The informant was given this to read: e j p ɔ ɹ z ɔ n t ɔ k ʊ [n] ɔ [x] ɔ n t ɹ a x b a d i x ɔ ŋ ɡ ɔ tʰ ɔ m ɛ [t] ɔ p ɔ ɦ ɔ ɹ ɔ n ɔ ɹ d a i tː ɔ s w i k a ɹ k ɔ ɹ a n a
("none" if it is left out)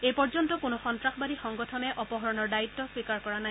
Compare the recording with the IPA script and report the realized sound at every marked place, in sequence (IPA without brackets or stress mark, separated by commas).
n, x, ʔ